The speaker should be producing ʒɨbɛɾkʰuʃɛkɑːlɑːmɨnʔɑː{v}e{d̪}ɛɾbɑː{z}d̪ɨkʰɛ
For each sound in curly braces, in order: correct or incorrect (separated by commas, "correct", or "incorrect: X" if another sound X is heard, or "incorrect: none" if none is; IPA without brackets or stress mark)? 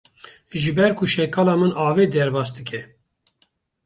correct, correct, incorrect: s